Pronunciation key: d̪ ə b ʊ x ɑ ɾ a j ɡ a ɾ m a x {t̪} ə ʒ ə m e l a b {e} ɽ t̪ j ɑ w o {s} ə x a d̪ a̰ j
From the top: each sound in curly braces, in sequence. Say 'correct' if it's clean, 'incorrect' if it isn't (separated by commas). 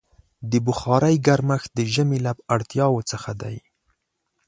incorrect, incorrect, incorrect